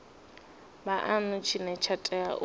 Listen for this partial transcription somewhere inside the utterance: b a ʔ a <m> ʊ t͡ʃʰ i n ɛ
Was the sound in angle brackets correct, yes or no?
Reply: no